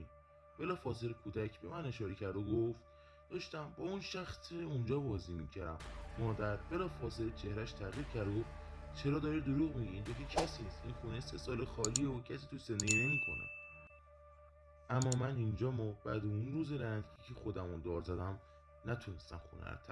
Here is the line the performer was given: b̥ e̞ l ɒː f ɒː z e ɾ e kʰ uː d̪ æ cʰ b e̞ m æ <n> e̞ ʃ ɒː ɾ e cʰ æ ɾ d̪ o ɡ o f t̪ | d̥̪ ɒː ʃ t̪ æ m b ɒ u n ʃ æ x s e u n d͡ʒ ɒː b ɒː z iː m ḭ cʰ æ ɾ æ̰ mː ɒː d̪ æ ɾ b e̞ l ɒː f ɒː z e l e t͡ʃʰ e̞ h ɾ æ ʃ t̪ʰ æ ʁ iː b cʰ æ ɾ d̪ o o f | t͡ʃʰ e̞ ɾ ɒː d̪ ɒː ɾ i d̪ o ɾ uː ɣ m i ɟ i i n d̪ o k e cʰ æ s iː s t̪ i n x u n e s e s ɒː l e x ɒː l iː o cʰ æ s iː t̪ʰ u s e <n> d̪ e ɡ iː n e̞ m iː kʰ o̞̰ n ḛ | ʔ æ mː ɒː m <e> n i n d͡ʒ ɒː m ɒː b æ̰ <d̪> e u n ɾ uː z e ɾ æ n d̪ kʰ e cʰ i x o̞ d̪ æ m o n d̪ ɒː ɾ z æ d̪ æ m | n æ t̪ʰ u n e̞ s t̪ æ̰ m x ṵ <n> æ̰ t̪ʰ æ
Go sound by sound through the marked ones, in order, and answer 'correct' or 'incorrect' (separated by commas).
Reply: correct, correct, incorrect, correct, correct